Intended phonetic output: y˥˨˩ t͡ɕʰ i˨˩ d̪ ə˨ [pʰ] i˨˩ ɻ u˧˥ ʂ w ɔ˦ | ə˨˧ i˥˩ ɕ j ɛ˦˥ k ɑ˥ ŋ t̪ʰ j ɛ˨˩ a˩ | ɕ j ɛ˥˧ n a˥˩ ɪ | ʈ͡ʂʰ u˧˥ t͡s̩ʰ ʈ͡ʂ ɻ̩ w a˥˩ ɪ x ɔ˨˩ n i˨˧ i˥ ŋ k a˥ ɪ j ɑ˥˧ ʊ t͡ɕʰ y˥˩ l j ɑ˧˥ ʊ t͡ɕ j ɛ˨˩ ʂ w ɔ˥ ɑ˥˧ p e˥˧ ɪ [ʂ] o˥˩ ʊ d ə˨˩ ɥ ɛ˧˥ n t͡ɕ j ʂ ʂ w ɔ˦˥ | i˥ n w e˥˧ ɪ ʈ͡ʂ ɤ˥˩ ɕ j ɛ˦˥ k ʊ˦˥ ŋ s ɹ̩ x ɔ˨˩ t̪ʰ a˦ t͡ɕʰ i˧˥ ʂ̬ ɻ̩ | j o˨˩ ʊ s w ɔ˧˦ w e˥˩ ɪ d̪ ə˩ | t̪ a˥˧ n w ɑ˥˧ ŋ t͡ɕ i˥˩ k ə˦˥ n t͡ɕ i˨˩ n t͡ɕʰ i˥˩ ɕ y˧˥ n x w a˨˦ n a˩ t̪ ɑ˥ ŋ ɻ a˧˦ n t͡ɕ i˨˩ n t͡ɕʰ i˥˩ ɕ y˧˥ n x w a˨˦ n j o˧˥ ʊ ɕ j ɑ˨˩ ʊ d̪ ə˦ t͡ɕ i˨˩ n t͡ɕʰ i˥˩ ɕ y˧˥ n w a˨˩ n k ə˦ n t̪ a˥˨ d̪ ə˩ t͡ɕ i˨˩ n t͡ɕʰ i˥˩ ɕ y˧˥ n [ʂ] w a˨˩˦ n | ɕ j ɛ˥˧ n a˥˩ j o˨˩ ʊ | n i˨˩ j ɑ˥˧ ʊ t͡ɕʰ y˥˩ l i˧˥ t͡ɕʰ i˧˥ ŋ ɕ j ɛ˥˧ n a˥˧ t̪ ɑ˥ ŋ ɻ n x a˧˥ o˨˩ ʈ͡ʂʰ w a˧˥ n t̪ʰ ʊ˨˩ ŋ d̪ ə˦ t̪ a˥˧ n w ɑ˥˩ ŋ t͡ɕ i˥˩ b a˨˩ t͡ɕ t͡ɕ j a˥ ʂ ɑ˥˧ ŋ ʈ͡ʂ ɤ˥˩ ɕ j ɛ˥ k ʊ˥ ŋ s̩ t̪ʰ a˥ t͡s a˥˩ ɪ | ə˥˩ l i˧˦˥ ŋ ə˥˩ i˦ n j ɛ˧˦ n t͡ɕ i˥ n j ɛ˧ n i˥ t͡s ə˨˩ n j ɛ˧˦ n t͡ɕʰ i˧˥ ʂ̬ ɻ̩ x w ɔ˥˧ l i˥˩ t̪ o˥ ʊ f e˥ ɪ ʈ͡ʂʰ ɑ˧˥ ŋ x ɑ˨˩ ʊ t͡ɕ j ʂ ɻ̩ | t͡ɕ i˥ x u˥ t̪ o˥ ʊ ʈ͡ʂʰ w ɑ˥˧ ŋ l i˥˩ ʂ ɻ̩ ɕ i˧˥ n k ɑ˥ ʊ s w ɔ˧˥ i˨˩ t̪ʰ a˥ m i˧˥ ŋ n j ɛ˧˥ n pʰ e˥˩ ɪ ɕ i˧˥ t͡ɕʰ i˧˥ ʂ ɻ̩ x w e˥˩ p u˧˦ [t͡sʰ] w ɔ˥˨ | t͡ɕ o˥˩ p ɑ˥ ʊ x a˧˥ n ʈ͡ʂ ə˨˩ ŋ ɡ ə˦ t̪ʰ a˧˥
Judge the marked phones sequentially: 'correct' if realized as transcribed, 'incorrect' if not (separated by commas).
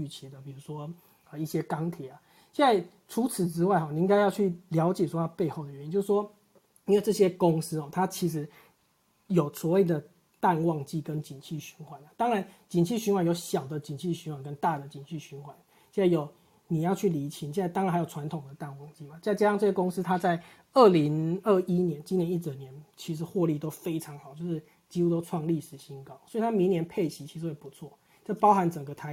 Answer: incorrect, incorrect, incorrect, correct